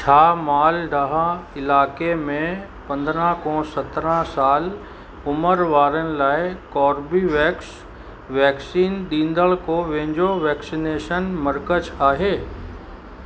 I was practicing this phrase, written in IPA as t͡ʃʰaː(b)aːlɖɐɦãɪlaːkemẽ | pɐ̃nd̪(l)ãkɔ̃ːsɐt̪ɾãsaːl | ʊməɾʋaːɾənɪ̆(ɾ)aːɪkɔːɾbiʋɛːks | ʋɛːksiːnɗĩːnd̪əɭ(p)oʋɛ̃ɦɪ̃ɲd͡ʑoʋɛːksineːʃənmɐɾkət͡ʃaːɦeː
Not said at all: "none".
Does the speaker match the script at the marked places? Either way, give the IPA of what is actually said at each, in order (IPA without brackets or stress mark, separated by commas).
m, ɾ, l, k